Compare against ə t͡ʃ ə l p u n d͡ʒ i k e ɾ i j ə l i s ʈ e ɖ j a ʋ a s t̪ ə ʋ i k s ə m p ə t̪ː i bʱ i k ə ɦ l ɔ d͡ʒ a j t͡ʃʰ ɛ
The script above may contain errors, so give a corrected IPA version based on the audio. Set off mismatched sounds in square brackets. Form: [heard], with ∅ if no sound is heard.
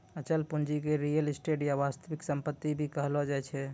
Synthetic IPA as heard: ə t͡ʃ ə l p u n d͡ʒ i k e ɾ i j ə l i s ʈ e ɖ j a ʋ a s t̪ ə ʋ i k s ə m p ə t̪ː i bʱ i k ə ɦ l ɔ d͡ʒ a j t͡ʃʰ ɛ